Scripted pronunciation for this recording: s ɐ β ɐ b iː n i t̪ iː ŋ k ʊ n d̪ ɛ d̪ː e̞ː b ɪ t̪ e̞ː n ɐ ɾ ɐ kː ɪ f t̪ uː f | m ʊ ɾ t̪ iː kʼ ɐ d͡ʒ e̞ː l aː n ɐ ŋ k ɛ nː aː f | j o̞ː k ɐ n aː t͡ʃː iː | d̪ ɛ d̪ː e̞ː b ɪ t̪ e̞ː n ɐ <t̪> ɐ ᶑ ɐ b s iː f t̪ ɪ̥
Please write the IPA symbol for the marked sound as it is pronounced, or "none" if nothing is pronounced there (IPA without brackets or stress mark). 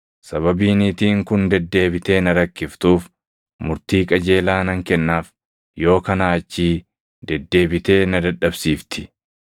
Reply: d̪